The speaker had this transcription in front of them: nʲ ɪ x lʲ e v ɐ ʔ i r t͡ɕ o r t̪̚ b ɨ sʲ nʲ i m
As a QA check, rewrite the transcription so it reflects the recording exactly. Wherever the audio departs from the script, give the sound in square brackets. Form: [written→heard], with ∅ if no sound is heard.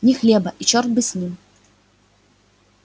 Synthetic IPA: nʲ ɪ x lʲ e [v→b] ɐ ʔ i [r→∅] t͡ɕ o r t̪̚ b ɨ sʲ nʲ i m